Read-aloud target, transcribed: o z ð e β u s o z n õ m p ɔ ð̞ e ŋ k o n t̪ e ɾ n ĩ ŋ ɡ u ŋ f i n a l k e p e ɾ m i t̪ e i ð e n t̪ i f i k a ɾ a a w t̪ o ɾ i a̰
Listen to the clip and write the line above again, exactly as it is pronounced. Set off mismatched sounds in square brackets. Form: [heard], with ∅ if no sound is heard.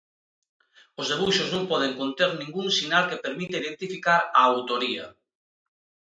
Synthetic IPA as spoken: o z ð e β u [ʃ] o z n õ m p ɔ ð̞ e ŋ k o n t̪ e ɾ n ĩ ŋ ɡ u ŋ [s] i n a l k e p e ɾ m i t̪ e i ð e n t̪ i f i k a ɾ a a w t̪ o ɾ i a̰